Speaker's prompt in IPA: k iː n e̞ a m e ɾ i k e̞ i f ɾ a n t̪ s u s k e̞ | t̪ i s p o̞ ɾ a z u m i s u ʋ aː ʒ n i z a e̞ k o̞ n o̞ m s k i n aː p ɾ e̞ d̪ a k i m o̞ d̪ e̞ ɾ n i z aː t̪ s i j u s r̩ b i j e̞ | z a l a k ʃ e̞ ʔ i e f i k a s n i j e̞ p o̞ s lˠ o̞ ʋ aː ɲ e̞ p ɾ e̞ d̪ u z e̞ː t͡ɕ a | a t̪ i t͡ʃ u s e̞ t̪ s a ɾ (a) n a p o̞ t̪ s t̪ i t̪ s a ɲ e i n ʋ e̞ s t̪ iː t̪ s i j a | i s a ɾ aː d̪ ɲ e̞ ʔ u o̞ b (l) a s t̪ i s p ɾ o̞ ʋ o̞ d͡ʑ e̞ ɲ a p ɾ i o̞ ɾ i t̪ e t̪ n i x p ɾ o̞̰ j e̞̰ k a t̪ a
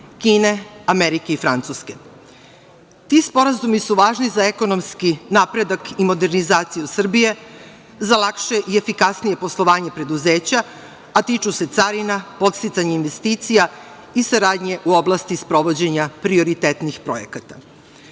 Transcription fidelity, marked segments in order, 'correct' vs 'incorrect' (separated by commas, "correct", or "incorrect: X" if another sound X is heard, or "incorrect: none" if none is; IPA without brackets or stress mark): incorrect: i, correct